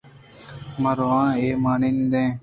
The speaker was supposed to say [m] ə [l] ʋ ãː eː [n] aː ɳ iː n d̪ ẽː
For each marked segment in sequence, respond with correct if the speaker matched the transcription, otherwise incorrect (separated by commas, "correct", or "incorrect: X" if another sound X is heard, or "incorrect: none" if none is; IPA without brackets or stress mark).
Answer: correct, incorrect: ɾ, incorrect: m